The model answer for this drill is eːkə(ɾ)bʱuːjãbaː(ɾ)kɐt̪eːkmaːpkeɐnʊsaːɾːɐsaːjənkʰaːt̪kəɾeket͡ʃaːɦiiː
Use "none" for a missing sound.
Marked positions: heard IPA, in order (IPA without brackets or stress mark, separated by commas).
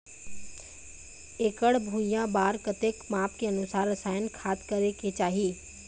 ɽ, ɾ